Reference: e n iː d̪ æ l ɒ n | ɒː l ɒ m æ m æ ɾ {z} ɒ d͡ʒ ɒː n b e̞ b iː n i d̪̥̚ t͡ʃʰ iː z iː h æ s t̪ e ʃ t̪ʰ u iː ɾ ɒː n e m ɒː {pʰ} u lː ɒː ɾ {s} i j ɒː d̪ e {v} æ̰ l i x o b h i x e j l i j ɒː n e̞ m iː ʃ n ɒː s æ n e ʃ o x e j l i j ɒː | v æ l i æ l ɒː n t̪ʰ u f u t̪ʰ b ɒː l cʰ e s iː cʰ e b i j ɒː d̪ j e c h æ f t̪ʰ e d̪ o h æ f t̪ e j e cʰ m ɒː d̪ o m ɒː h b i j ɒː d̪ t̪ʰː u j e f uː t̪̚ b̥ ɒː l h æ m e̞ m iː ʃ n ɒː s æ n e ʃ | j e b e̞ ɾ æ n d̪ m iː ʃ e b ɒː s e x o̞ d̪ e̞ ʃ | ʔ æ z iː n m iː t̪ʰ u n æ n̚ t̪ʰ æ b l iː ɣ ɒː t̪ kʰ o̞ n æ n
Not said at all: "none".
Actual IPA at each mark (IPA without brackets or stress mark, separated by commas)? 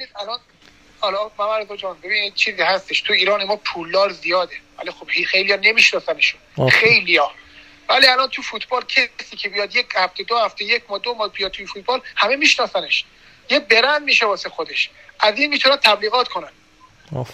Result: z, pʰ, z, v